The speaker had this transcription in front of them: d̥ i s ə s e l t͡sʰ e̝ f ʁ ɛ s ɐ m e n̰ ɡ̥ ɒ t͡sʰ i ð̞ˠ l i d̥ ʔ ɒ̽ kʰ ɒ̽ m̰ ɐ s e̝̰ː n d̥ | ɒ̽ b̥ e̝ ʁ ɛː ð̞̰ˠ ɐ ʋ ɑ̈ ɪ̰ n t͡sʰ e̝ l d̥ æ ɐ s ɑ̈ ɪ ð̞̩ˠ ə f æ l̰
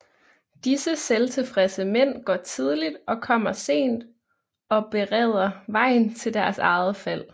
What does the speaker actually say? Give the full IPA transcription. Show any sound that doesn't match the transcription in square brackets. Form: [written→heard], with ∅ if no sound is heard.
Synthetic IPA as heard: d̥ i s ə s e l t͡sʰ e̝ f ʁ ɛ s [ɐ→ə] m e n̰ ɡ̥ ɒ t͡sʰ i ð̞ˠ l i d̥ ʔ ɒ̽ kʰ ɒ̽ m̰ ɐ s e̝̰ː n d̥ | ɒ̽ b̥ e̝ ʁ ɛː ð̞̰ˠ ɐ ʋ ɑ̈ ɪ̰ n t͡sʰ e̝ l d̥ æ ɐ s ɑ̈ ɪ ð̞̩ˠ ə f æ l̰

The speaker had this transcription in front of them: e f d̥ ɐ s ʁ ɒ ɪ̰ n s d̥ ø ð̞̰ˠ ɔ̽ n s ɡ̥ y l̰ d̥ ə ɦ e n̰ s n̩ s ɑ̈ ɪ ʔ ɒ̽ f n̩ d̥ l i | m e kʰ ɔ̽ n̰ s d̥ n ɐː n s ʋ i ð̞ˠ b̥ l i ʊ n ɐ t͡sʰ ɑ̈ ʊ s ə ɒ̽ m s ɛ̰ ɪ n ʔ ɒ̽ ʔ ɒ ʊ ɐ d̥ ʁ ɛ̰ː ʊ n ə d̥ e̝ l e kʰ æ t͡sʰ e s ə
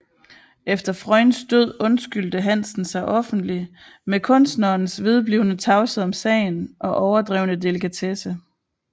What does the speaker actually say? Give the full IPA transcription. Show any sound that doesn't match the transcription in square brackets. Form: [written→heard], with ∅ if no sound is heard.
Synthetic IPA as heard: e f d̥ ɐ [s→f] ʁ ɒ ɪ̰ n s d̥ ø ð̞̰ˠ ɔ̽ n s ɡ̥ y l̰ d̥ ə ɦ [e→æ] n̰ s n̩ s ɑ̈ ɪ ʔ ɒ̽ f n̩ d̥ l i | m e kʰ ɔ̽ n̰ s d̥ n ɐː n s ʋ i ð̞ˠ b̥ l i ʊ n [ɐ→ə] t͡sʰ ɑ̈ ʊ s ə ɒ̽ m s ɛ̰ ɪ n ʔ ɒ̽ ʔ ɒ ʊ ɐ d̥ ʁ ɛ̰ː ʊ n ə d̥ e̝ l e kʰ æ t͡sʰ e s ə

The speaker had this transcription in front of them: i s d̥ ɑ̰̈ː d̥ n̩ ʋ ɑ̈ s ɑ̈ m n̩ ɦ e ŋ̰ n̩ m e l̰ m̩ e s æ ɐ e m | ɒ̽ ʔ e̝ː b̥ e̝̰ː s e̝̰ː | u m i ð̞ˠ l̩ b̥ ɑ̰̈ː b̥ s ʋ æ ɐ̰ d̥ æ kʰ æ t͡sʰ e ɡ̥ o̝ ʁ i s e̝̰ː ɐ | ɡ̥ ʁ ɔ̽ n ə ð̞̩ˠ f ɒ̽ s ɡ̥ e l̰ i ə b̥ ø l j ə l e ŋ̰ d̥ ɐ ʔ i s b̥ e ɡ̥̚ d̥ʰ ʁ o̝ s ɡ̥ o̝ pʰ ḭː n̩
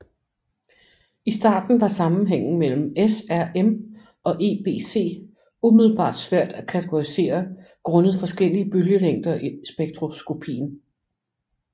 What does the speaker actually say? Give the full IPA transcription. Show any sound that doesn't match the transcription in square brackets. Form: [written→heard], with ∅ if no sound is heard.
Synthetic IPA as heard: i s d̥ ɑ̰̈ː d̥ n̩ ʋ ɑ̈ s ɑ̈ m n̩ ɦ e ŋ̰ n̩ m e l̰ m̩ e s æ ɐ e m | ɒ̽ ʔ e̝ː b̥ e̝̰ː s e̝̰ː | u m i ð̞ˠ l̩ b̥ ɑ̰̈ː [b̥→d̥] s ʋ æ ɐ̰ d̥ æ kʰ æ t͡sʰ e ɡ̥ o̝ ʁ i s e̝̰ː ɐ | ɡ̥ ʁ ɔ̽ n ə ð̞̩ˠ f ɒ̽ s ɡ̥ e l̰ i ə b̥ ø l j ə l e ŋ̰ d̥ ɐ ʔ i s b̥ e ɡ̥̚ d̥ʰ ʁ o̝ s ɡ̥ o̝ pʰ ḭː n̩

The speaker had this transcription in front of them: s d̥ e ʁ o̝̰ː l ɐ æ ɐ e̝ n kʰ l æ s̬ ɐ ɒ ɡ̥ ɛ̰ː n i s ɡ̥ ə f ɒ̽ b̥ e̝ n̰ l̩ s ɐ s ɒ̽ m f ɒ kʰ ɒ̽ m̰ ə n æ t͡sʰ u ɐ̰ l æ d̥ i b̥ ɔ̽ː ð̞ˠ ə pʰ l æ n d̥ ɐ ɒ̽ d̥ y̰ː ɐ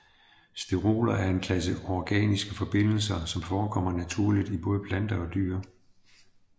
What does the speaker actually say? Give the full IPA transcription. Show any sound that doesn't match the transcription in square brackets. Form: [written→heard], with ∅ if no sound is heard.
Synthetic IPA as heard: s d̥ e ʁ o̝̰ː l ɐ æ ɐ e̝ n kʰ l æ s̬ [ɐ→ə] ɒ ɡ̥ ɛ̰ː n i s ɡ̥ ə f ɒ̽ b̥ e̝ n̰ l̩ s ɐ s ɒ̽ m f [ɒ→ɒː] kʰ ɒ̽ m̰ [ə→ɐ] n æ t͡sʰ u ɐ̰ l [æ→i] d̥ i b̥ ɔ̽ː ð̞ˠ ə pʰ l æ n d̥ ɐ ɒ̽ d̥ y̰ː ɐ

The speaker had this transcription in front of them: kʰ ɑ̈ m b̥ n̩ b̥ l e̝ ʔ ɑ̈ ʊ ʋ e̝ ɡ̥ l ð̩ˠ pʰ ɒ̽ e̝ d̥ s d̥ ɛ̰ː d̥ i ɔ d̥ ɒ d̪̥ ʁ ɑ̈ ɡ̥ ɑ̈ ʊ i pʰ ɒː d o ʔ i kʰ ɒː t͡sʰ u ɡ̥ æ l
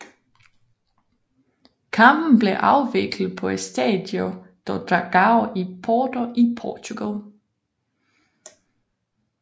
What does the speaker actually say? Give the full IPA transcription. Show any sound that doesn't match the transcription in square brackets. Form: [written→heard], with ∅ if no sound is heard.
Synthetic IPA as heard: kʰ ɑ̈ m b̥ n̩ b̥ l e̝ ʔ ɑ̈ ʊ ʋ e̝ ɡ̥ l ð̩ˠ pʰ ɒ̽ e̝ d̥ s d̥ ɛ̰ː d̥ [i→j] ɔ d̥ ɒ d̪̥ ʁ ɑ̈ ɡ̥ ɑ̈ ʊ i pʰ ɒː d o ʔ i [kʰ→pʰ] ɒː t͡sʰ u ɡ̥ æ l

